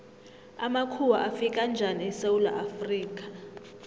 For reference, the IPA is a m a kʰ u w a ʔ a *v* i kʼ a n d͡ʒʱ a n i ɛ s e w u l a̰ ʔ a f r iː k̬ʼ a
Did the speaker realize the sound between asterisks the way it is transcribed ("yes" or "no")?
no